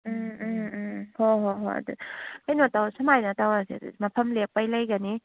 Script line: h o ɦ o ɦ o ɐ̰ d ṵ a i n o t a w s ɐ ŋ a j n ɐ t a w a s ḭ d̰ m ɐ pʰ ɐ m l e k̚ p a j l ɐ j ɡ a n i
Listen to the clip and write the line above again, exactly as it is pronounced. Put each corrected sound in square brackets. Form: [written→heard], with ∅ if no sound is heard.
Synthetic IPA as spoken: h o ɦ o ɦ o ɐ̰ d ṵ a [i→j] n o t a w s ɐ [ŋ→m] a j n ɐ t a w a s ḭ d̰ m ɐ pʰ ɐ m l e k̚ p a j l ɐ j ɡ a n i